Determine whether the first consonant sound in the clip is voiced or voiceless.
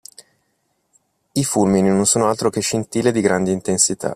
voiceless